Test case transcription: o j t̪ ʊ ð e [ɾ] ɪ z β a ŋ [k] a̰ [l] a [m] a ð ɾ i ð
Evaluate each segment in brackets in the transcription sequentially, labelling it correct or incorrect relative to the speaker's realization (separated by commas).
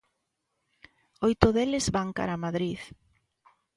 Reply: incorrect, correct, incorrect, correct